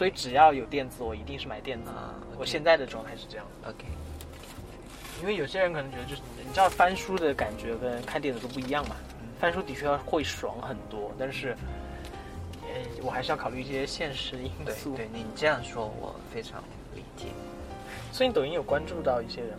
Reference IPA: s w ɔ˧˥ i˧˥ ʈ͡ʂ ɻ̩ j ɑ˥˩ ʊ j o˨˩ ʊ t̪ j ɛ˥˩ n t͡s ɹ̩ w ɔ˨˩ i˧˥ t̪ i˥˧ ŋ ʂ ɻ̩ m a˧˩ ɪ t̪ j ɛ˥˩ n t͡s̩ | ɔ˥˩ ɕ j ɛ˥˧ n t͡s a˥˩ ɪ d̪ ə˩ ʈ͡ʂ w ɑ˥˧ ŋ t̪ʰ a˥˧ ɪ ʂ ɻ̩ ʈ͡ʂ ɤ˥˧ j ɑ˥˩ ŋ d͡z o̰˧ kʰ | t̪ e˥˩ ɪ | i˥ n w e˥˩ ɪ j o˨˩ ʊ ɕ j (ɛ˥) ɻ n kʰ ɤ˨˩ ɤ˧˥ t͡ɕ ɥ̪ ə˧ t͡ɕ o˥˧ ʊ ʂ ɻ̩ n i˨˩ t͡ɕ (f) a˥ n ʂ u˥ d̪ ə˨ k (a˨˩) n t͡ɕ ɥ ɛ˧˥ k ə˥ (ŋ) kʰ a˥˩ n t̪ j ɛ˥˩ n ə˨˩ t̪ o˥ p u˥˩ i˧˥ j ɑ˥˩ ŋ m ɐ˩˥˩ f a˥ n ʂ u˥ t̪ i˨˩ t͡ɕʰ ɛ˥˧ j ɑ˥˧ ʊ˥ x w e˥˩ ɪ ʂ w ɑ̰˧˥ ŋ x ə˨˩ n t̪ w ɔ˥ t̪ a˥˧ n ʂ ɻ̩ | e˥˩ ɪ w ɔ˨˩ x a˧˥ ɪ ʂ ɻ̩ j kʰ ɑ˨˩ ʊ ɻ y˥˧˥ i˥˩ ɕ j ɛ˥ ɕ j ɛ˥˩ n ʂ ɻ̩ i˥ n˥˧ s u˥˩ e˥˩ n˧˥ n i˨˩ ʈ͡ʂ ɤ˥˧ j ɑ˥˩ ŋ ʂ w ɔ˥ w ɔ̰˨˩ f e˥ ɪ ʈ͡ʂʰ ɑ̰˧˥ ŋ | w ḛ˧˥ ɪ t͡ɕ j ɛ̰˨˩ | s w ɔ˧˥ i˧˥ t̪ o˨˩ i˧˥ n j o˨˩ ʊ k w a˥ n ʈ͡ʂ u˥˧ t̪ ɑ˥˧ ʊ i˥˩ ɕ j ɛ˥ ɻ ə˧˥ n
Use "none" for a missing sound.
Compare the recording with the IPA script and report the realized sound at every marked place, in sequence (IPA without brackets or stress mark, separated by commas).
ɛ˥, f, a˨˩, n